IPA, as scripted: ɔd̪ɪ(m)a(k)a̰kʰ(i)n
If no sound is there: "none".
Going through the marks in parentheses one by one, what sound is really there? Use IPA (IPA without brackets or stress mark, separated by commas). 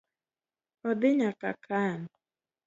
ɲ, k, a